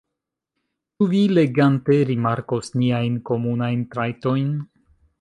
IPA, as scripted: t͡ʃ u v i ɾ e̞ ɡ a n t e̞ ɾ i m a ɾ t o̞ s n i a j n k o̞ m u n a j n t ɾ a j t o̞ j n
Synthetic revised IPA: t͡ʃ u v i l e̞ ɡ a n t e̞ ɾ i m a ɾ k o̞ s n i a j n k o̞ m u n a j n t ɾ a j t o̞ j n